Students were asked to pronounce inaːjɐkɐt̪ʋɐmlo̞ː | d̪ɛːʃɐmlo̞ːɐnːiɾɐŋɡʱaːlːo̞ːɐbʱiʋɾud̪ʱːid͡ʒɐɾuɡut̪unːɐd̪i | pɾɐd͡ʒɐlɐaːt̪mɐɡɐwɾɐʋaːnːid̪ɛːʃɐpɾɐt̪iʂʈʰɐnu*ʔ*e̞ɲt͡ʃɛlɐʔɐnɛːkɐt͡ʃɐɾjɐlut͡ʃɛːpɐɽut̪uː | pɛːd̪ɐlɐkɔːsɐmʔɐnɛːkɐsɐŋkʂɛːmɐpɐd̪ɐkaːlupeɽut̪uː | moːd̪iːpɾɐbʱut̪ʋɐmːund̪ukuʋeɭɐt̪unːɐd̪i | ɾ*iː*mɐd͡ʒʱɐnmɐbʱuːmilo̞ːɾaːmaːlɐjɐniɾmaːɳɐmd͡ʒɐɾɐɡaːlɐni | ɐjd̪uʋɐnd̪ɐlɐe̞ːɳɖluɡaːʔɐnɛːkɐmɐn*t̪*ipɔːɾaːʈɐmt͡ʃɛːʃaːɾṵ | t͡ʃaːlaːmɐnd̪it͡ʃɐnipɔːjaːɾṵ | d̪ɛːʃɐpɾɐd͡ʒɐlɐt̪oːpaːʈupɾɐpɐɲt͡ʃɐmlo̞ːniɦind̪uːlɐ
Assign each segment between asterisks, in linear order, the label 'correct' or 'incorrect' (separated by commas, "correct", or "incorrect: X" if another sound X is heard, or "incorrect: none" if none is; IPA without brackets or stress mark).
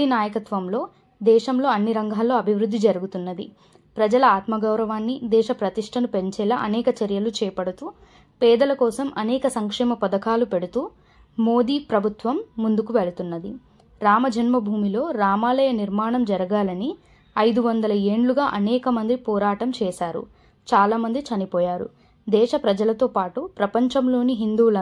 incorrect: p, incorrect: aː, incorrect: d̪